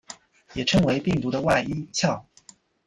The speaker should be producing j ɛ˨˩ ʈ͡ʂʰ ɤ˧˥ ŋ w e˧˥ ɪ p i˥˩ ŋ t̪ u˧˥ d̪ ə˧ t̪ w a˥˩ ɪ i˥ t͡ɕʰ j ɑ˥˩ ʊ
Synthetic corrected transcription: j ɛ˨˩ ʈ͡ʂʰ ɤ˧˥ ŋ w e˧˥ ɪ p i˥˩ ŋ t̪ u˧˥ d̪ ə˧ w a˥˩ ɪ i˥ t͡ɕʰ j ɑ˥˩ ʊ